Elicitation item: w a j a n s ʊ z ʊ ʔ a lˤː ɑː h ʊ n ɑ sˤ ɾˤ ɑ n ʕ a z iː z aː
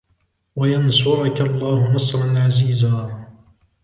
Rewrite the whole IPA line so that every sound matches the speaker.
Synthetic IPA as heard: w a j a n s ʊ ʕ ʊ k a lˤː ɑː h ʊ n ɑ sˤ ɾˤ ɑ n ʕ a z iː z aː